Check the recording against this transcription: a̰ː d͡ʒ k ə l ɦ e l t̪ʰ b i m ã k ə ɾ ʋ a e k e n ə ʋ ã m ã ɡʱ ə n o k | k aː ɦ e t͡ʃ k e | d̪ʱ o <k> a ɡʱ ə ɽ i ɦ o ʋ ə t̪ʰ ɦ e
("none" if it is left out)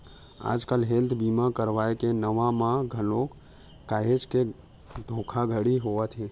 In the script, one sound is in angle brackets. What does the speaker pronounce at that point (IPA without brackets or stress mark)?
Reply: kʰ